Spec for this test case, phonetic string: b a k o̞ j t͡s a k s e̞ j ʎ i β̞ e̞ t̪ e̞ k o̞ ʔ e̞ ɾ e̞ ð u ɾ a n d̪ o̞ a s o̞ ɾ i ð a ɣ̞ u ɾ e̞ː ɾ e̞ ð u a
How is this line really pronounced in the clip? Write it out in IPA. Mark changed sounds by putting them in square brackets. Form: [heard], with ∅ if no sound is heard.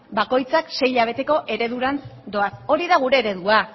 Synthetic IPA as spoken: b a k o̞ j t͡s a k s e̞ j ʎ [a] β̞ e̞ t̪ e̞ k o̞ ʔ e̞ ɾ e̞ ð u ɾ a n d̪ o̞ a s o̞ ɾ i ð a ɣ̞ u ɾ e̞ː ɾ e̞ ð u a